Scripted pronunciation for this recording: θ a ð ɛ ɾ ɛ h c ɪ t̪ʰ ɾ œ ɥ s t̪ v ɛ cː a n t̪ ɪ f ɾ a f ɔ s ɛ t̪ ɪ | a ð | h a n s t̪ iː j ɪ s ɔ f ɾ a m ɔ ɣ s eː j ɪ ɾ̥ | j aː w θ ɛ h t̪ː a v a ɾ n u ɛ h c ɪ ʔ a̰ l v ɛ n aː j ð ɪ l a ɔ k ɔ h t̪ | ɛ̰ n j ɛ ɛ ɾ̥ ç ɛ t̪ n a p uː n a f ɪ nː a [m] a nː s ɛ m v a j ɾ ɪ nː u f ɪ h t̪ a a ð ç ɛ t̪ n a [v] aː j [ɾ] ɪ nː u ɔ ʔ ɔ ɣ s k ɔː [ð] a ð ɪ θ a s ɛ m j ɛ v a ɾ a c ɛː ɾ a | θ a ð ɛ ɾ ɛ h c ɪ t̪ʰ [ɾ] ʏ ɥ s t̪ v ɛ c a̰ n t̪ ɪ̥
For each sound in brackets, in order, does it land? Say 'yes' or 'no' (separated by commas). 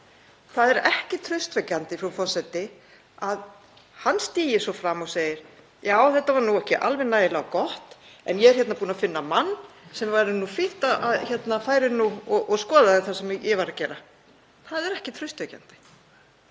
yes, no, yes, yes, yes